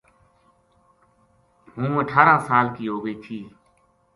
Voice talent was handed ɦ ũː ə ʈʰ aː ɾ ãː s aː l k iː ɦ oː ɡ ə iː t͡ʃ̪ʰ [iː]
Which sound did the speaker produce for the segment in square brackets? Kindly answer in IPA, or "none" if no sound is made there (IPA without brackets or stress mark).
iː